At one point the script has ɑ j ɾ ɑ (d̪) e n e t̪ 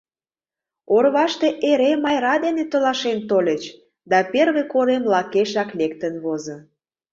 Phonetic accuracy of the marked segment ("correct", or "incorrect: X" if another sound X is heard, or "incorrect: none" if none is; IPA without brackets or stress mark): correct